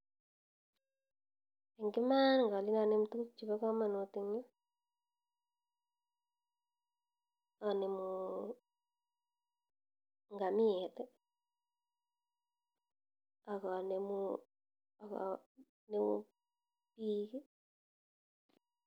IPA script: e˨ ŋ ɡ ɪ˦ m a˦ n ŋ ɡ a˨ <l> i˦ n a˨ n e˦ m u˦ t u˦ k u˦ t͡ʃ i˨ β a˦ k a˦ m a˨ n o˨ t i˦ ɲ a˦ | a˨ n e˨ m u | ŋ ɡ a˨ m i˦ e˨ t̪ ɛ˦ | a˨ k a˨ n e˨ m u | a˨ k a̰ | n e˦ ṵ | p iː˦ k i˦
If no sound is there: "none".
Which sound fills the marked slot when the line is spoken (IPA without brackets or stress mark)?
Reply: l